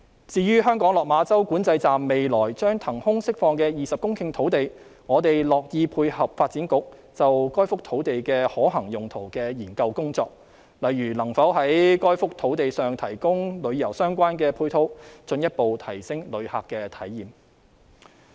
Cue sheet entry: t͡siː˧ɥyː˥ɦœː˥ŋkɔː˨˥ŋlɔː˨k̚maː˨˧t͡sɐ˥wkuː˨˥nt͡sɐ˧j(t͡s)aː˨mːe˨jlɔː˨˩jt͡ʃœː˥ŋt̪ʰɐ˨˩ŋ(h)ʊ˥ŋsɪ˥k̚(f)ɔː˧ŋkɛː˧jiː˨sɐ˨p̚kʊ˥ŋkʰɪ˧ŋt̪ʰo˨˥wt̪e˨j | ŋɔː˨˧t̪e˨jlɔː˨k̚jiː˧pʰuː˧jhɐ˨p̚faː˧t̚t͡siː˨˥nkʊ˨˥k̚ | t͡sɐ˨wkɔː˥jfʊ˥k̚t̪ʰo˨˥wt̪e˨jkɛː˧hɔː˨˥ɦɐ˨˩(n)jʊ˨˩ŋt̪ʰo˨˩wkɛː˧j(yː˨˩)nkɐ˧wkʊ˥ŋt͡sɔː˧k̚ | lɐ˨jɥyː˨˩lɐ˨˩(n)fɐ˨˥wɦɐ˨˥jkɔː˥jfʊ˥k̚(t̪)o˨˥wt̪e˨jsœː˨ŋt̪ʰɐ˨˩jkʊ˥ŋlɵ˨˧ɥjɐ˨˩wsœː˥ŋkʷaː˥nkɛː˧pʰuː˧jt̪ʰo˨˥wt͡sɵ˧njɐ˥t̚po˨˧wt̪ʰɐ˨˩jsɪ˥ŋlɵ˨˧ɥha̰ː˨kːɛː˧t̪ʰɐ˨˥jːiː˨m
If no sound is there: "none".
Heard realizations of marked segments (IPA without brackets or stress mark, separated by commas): t͡s, h, f, ŋ, iː˨˩, ŋ, t̪ʰ